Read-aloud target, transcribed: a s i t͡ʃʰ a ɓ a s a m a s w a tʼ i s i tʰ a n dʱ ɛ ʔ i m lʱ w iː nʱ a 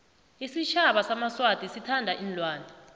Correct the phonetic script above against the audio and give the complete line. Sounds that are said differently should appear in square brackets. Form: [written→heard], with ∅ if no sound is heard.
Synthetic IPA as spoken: [a→i] s i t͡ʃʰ a ɓ a s a m a s w a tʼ i s i tʰ a n dʱ [ɛ→a] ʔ i [m→n] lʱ w [iː→aː] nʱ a